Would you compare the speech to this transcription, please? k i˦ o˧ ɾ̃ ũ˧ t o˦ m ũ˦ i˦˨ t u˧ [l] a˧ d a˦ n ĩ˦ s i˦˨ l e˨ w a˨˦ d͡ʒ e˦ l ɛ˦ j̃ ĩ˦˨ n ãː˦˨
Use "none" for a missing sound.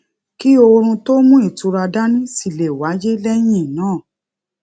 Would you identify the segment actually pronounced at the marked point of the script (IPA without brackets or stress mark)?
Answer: ɾ